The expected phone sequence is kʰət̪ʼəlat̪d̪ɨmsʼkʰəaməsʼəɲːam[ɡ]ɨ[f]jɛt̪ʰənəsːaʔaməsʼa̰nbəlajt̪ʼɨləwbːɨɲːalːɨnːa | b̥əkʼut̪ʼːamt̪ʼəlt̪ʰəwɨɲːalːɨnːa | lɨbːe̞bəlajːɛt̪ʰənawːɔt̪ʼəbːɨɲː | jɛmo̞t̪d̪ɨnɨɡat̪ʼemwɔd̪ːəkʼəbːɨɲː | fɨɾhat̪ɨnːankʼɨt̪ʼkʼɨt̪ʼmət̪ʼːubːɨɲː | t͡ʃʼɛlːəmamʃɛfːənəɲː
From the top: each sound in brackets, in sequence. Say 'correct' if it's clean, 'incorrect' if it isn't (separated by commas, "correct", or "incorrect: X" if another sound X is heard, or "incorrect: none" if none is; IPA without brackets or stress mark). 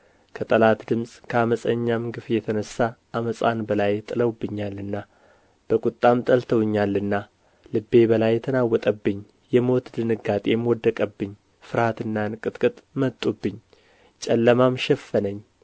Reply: correct, correct